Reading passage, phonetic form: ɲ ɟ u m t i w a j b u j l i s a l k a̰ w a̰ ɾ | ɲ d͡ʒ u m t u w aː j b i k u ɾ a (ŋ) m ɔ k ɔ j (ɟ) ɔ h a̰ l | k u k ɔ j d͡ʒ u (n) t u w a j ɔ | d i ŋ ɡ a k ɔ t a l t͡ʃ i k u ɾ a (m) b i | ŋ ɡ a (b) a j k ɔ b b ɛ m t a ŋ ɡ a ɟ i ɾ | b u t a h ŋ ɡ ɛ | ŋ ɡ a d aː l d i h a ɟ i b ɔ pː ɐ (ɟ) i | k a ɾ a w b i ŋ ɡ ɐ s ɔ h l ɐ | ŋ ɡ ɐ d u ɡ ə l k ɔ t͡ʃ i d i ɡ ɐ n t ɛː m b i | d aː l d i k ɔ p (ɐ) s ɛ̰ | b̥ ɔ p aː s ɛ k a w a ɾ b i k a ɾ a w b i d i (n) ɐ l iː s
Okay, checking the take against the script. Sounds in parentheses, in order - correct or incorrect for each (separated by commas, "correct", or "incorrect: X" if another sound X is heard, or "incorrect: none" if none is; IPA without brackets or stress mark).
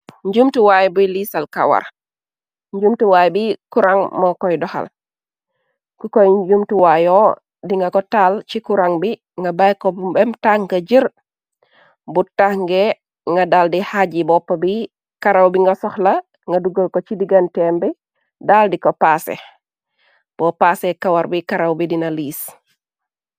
correct, incorrect: d, incorrect: m, incorrect: ŋ, correct, incorrect: b, incorrect: a, correct